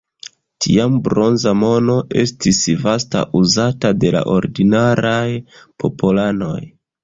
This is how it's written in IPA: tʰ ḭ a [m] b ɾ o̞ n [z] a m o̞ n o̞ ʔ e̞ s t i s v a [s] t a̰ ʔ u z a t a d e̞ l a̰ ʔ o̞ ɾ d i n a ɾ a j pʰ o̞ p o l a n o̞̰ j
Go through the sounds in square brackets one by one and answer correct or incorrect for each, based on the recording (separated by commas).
correct, correct, correct